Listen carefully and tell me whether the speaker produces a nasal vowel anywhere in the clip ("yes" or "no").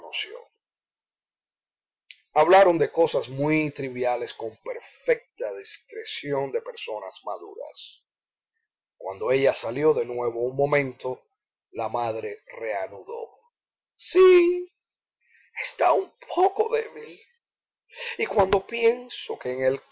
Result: yes